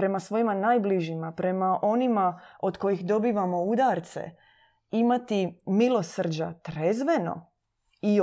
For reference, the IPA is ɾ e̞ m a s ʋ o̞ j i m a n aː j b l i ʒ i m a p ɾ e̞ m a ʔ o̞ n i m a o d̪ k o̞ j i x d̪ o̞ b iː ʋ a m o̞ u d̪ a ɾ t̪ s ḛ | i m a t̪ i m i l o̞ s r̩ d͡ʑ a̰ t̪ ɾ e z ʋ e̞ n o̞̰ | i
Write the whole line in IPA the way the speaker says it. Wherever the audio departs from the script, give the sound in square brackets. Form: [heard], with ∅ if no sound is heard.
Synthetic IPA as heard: ɾ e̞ m a s ʋ o̞ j i m a n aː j b l i ʒ i m a p ɾ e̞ m a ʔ o̞ n i m a o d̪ k o̞ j i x d̪ o̞ b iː ʋ a m o̞ u d̪ a ɾ t̪ s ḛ | i m a t̪ i m i l o̞ s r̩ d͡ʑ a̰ t̪ ɾ e z ʋ e̞ n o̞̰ | i